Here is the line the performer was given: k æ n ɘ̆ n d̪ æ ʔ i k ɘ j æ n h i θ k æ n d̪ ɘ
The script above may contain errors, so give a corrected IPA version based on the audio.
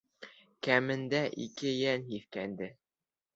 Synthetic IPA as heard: k æ m ɘ̆ n d̪ æ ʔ i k ɘ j æ n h i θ k æ n d̪ ɘ